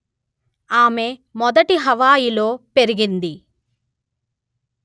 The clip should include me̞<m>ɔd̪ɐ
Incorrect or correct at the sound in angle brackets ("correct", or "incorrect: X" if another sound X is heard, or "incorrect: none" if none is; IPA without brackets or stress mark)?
correct